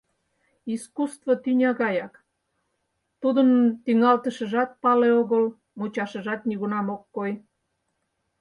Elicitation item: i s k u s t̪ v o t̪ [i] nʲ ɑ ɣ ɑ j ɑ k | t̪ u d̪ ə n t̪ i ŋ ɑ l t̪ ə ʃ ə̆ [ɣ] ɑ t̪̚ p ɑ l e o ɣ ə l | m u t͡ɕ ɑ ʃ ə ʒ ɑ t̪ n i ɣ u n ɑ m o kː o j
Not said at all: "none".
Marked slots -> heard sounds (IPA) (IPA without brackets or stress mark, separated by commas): y, ʒ